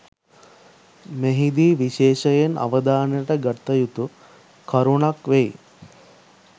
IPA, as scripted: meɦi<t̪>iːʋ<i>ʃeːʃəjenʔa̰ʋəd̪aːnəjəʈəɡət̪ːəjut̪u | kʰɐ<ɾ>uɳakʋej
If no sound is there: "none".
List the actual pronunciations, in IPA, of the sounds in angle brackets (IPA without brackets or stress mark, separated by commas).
d̪, i, ɾ